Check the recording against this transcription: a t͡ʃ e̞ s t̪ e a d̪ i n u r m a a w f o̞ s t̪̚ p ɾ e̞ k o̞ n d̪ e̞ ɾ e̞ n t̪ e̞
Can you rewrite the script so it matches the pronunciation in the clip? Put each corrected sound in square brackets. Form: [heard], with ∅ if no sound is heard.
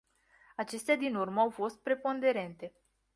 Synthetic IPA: a t͡ʃ e̞ s t̪ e a d̪ i n u r m [ə] a w f o̞ s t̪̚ p ɾ e̞ [p] o̞ n d̪ e̞ ɾ e̞ n t̪ e̞